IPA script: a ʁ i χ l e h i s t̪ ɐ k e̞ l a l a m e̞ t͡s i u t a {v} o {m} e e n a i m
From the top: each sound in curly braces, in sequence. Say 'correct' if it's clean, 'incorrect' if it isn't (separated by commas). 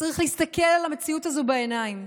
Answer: incorrect, incorrect